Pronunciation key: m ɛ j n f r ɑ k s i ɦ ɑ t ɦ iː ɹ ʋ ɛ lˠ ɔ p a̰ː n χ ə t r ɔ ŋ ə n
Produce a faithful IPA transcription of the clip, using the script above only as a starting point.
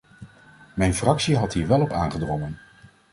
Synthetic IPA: m ɛ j n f r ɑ k s i ɦ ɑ t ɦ iː ɹ ʋ ɛ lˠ ɔ p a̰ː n χ ə d r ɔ ŋ ə n